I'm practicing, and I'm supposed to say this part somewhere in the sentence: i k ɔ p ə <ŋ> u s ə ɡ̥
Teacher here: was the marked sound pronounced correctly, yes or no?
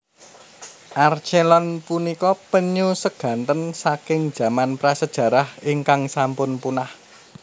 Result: no